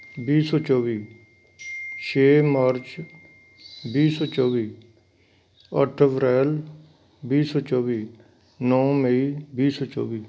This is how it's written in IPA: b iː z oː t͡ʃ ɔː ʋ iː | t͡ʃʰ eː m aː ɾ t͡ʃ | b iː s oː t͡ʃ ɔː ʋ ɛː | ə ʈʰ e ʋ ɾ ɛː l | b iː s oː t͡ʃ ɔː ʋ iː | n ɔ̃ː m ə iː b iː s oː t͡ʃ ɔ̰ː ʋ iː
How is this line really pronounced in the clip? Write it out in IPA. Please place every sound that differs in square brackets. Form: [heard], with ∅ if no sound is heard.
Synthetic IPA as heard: b iː [s] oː t͡ʃ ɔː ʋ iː | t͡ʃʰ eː m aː ɾ t͡ʃ | b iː s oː t͡ʃ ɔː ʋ [iː] | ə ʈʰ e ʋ ɾ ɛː l | b iː s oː t͡ʃ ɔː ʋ iː | n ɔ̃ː m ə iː b iː s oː t͡ʃ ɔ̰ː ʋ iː